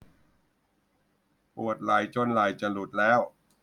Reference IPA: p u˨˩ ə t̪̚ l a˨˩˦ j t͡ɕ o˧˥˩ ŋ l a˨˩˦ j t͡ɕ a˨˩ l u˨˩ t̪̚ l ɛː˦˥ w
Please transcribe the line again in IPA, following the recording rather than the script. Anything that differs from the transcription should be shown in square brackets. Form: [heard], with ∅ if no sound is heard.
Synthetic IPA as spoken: p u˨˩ ə t̪̚ l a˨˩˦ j t͡ɕ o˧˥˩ [n] l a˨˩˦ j t͡ɕ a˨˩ l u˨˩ t̪̚ l ɛː˦˥ w